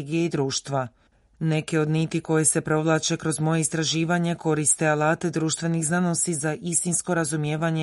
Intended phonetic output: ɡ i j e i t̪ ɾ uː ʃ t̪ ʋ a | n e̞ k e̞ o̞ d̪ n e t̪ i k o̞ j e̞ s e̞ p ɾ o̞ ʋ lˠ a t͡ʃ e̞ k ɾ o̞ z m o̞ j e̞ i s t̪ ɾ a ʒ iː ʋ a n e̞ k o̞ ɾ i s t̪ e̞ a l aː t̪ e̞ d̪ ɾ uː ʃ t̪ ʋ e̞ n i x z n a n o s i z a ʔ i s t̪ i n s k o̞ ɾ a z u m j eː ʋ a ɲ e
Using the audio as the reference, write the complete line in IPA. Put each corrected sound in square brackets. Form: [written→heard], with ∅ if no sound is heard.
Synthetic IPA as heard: ɡ i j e i [t̪→d̪] ɾ uː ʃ t̪ ʋ a | n e̞ k e̞ o̞ d̪ n [e→i] t̪ i k o̞ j e̞ s e̞ p ɾ o̞ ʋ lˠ a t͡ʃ e̞ k ɾ o̞ z m o̞ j e̞ i s t̪ ɾ a ʒ iː ʋ a [n→ɲ] e̞ k o̞ ɾ i s t̪ e̞ a l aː t̪ e̞ d̪ ɾ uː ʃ t̪ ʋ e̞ n i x z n a n o s i z a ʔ i s t̪ i n s k o̞ ɾ a z u m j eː ʋ a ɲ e